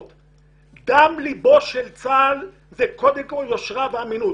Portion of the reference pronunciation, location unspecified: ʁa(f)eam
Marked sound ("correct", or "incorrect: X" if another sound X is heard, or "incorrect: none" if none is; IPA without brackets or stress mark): incorrect: v